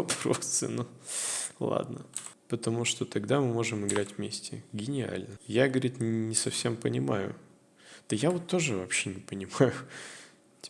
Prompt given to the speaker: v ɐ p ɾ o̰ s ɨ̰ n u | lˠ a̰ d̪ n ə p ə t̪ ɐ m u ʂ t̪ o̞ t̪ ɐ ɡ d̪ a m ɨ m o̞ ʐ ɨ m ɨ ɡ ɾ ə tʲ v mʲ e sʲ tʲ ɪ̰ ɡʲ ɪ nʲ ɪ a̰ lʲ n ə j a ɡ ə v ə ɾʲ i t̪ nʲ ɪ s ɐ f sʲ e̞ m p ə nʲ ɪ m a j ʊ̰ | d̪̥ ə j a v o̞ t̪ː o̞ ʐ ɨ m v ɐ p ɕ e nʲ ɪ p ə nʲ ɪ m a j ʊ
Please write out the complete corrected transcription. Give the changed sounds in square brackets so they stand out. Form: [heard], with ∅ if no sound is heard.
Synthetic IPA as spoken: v ɐ p ɾ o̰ s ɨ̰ n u | lˠ a̰ d̪ n ə p ə t̪ ɐ m u ʂ t̪ o̞ t̪ ɐ ɡ d̪ a m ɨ m o̞ ʐ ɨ m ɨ ɡ ɾ [a] tʲ v mʲ e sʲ tʲ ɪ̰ ɡʲ ɪ nʲ ɪ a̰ lʲ n ə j a ɡ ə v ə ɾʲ i t̪ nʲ ɪ s ɐ f sʲ e̞ m p ə nʲ ɪ m a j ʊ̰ | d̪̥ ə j a v o̞ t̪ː o̞ ʐ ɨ [∅] v ɐ p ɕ e nʲ ɪ p ə nʲ ɪ m a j ʊ

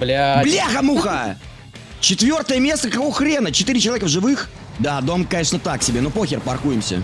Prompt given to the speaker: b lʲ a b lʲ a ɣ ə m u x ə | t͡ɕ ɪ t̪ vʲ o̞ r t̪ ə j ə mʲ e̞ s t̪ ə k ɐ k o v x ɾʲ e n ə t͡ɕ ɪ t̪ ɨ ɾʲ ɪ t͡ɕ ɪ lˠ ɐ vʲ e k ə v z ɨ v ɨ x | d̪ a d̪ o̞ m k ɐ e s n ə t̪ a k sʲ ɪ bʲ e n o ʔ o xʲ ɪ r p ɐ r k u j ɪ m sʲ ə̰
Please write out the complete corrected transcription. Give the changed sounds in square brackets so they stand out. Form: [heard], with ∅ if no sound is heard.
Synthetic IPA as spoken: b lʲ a b lʲ a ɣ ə m u x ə | t͡ɕ ɪ t̪ vʲ o̞ r t̪ ə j ə mʲ e̞ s t̪ ə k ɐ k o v x ɾʲ e n ə t͡ɕ ɪ t̪ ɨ ɾʲ ɪ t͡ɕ ɪ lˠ ɐ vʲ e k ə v [ʐ] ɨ v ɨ x | d̪ a d̪ o̞ m k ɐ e [ʂ] n ə t̪ a k sʲ ɪ bʲ e n o [p] o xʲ ɪ r p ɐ r k u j ɪ m sʲ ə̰

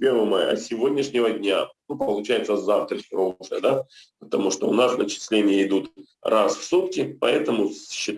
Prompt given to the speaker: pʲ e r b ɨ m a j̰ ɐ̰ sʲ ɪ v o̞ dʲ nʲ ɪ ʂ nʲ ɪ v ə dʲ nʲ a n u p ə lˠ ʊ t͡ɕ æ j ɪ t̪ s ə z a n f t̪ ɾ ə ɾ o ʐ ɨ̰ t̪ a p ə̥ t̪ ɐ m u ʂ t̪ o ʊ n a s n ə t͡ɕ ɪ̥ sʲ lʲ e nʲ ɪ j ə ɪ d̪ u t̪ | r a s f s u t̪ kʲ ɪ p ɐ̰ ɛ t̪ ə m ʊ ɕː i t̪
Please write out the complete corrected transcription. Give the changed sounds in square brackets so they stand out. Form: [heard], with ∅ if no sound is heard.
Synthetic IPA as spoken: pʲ e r [v] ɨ m a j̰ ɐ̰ sʲ ɪ v o̞ dʲ nʲ ɪ ʂ nʲ ɪ v ə dʲ nʲ a n u p ə lˠ ʊ t͡ɕ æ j ɪ t̪ s ə z a [∅] f t̪ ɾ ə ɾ o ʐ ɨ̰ [d̪] a p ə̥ t̪ ɐ m u ʂ t̪ o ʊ n a s n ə t͡ɕ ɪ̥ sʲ lʲ e nʲ ɪ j ə ɪ d̪ u t̪ | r a s f s u t̪ kʲ ɪ p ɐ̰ ɛ t̪ ə m ʊ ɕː [ɪ] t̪

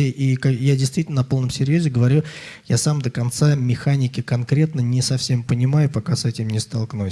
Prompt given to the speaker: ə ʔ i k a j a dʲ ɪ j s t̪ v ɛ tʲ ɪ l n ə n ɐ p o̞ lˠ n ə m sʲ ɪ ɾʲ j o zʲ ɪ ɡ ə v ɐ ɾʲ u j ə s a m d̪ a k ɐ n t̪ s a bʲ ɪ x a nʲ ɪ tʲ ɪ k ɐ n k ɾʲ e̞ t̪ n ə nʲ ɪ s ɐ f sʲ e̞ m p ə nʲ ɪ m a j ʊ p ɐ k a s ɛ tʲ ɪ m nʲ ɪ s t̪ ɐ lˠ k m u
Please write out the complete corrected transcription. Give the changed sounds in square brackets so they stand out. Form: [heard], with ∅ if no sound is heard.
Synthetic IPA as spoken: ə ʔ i k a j a dʲ ɪ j s t̪ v [i] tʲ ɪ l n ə n ɐ p o̞ lˠ n ə m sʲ ɪ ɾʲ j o zʲ ɪ ɡ ə v ɐ ɾʲ u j [a] s a m d̪ [ə] k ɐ n t̪ s a [mʲ] ɪ x a nʲ ɪ [kʲ] ɪ k ɐ n k ɾʲ e̞ t̪ n ə nʲ ɪ s ɐ f sʲ e̞ m p ə nʲ ɪ m a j ʊ p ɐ k a s ɛ tʲ ɪ m nʲ ɪ s t̪ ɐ lˠ k [n] u

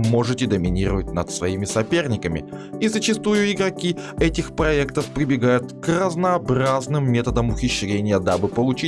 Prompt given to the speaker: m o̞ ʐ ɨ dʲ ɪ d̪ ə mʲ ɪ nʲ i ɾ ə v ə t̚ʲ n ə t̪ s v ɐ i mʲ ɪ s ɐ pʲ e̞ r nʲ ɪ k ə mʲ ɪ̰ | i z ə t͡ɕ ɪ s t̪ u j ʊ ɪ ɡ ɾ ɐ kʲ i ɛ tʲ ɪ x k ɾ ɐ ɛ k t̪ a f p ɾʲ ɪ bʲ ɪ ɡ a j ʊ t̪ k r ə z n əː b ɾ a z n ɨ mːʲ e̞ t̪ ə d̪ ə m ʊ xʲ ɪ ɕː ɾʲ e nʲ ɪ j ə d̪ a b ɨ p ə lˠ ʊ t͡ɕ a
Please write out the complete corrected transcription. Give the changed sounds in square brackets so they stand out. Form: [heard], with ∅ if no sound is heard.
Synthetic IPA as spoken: m o̞ ʐ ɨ [tʲ] ɪ d̪ ə mʲ ɪ nʲ i ɾ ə v ə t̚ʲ n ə t̪ s v ɐ i mʲ ɪ s ɐ pʲ e̞ r nʲ ɪ k ə mʲ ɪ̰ | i z ə t͡ɕ ɪ s t̪ u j ʊ ɪ ɡ ɾ ɐ kʲ i ɛ tʲ ɪ x [p] ɾ ɐ ɛ k t̪ [ə] f p ɾʲ ɪ bʲ ɪ ɡ a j ʊ t̪ k r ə z n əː b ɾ a z n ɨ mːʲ e̞ t̪ ə d̪ ə m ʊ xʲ ɪ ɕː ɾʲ e nʲ ɪ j ə d̪ a b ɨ p ə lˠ ʊ t͡ɕ [i]

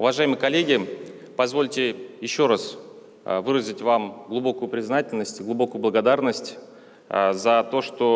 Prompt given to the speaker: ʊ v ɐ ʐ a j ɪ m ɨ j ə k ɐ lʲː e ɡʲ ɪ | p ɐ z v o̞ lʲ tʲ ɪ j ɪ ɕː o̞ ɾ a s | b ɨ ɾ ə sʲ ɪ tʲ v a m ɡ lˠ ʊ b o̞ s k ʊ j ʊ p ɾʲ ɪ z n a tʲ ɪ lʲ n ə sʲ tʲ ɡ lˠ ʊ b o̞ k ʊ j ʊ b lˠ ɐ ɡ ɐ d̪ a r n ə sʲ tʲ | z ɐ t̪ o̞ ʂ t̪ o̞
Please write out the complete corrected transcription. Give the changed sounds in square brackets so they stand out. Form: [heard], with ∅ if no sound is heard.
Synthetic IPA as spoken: ʊ v ɐ ʐ a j ɪ m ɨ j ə k ɐ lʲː e ɡʲ ɪ | p ɐ z v o̞ lʲ tʲ ɪ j ɪ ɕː o̞ ɾ a s | [v] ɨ ɾ ə [zʲ] ɪ tʲ v a m ɡ lˠ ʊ b o̞ [∅] k ʊ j ʊ p ɾʲ ɪ z n a tʲ ɪ lʲ n ə sʲ tʲ ɡ lˠ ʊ b o̞ k ʊ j ʊ b lˠ [ə] ɡ ɐ d̪ a r n ə sʲ tʲ | z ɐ t̪ o̞ ʂ t̪ o̞

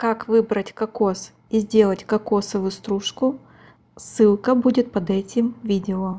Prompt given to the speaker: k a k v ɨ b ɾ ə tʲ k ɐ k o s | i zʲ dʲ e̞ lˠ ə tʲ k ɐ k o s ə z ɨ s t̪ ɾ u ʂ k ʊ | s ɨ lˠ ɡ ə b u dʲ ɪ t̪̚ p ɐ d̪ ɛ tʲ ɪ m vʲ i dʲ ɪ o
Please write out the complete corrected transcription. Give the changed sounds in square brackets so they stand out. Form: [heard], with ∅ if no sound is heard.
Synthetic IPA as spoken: k a k v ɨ b ɾ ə tʲ k ɐ k o s | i zʲ dʲ e̞ lˠ ə tʲ k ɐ k o s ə [v] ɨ s t̪ ɾ u ʂ k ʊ | s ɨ lˠ [k] ə b u dʲ ɪ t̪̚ p ɐ d̪ ɛ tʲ ɪ m vʲ i dʲ ɪ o

